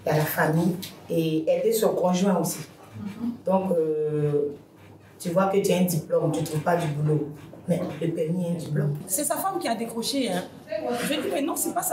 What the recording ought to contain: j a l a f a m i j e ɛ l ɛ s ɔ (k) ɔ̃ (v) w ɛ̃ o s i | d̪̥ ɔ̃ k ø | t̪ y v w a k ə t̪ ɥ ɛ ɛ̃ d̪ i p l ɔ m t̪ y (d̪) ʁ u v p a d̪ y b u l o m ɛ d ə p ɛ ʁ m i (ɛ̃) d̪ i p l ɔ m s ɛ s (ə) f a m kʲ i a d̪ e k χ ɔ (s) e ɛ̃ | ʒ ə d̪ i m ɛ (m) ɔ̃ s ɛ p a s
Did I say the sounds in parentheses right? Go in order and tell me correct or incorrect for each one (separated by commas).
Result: correct, incorrect, incorrect, correct, incorrect, incorrect, incorrect